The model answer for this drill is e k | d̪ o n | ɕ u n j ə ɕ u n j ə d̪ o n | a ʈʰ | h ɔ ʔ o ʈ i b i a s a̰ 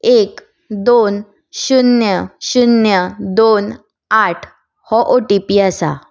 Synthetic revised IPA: e k | d̪ o n | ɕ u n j ə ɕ u n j ə d̪ o n | a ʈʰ | h ɔ ʔ o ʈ i p i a s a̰